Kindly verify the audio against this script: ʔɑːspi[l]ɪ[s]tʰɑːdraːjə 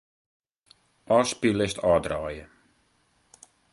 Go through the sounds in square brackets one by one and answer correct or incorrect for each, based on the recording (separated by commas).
correct, correct